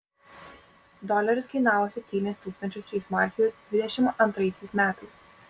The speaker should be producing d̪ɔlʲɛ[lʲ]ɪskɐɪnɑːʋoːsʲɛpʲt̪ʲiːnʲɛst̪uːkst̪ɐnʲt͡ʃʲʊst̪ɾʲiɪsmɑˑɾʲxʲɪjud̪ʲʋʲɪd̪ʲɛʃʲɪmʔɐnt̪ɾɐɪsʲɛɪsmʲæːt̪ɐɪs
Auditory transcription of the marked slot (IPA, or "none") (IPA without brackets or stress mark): ɾʲ